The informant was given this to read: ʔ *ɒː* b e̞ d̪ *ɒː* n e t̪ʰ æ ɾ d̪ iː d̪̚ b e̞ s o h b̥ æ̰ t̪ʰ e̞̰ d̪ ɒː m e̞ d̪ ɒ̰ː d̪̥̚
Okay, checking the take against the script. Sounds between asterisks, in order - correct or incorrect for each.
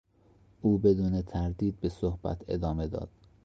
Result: incorrect, incorrect

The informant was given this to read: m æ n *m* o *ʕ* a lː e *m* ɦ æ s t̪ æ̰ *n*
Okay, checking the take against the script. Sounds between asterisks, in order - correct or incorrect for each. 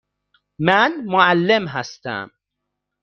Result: correct, correct, correct, incorrect

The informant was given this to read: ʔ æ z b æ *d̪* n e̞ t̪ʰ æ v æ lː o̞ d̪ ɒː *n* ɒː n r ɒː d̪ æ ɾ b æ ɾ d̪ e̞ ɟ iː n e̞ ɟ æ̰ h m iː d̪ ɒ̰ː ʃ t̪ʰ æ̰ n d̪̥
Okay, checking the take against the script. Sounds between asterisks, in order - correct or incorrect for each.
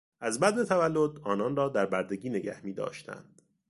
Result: correct, correct

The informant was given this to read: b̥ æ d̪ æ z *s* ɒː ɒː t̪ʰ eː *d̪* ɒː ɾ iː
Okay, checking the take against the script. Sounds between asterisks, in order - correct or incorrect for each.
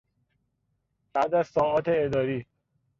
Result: correct, correct

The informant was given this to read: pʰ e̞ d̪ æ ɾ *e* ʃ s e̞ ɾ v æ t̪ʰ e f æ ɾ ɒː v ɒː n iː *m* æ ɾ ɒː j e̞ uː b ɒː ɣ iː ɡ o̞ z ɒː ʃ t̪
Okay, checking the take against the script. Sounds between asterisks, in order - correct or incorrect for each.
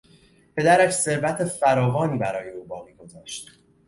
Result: incorrect, incorrect

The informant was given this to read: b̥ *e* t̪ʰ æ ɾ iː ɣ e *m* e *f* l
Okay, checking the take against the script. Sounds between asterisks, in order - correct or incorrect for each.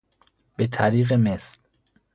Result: correct, correct, incorrect

